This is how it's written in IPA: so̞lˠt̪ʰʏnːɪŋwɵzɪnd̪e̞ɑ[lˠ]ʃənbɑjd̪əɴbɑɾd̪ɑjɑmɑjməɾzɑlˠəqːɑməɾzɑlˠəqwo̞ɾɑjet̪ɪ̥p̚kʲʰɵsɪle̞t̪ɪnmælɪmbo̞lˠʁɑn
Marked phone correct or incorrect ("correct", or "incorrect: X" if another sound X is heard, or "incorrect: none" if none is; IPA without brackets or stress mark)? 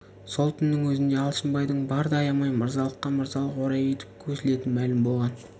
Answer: correct